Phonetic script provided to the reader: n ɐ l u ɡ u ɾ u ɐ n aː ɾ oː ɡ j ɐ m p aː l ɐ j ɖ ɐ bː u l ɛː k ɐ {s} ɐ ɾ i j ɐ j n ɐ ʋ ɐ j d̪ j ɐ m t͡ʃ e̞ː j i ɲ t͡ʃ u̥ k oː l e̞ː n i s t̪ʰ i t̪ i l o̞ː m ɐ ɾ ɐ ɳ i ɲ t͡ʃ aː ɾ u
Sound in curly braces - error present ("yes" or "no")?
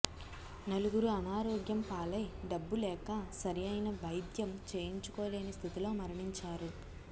no